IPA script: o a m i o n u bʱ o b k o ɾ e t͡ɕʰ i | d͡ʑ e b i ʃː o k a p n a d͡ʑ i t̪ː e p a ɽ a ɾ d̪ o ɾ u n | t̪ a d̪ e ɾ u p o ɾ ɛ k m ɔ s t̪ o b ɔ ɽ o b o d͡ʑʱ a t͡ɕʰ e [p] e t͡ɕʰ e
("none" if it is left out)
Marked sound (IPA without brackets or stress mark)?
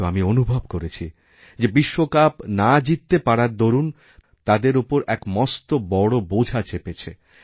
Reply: p